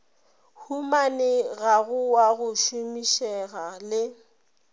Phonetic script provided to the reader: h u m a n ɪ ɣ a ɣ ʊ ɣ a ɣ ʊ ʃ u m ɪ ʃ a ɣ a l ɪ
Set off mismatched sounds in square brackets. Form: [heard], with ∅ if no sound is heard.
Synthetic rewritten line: h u m a n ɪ ɣ a ɣ ʊ [w] a ɣ ʊ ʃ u m [i] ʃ [ɛ] ɣ a l ɪ